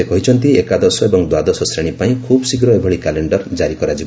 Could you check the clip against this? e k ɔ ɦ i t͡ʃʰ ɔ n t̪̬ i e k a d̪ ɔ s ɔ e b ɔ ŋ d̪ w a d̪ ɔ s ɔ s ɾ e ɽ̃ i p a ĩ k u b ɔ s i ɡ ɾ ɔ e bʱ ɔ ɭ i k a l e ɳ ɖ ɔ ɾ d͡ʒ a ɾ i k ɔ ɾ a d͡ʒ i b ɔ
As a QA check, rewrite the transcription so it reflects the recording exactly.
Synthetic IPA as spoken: e k ɔ ɦ i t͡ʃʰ ɔ n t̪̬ i e k a d̪ ɔ s ɔ e b ɔ ŋ d̪ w a d̪ ɔ s ɔ s ɾ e ɽ̃ i p a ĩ kʰ u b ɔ s i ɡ ɾ ɔ e bʱ ɔ ɭ i k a l e ɳ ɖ ɔ ɾ d͡ʒ a ɾ i k ɔ ɾ a d͡ʒ i b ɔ